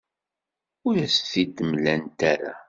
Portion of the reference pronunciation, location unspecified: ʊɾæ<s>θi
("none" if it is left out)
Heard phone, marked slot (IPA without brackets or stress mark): s